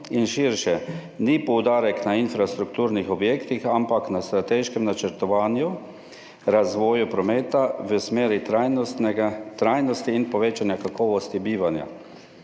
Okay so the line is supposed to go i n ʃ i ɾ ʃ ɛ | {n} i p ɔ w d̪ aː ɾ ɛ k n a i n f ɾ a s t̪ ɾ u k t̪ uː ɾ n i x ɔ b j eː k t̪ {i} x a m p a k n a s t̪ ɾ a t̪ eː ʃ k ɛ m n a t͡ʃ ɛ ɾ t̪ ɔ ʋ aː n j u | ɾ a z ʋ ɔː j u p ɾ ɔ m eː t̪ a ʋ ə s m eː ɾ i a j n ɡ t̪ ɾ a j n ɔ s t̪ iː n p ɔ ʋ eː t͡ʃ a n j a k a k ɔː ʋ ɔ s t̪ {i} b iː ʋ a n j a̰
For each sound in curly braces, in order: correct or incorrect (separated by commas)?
correct, correct, correct